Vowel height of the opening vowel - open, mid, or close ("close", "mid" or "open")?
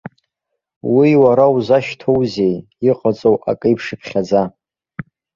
close